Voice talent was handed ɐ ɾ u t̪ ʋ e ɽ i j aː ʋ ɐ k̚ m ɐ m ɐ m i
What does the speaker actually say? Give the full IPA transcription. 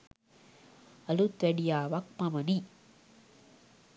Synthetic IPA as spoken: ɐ l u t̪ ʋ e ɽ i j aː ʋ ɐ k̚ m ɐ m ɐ n i